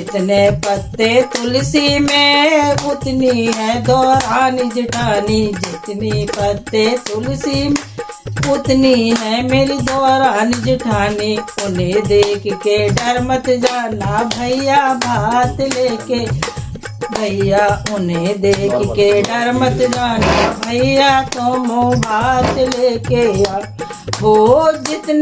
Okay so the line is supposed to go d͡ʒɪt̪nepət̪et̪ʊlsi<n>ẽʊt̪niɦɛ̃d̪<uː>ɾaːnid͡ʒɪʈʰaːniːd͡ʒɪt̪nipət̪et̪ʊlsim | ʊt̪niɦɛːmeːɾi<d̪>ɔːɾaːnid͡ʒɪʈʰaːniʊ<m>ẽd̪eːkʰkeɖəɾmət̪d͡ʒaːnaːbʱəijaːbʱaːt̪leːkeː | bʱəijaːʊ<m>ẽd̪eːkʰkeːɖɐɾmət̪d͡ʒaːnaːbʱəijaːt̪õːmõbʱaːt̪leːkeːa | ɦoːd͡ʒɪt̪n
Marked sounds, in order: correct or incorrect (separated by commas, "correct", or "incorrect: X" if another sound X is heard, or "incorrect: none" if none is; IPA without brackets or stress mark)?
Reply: incorrect: m, incorrect: ɔː, correct, incorrect: n, incorrect: n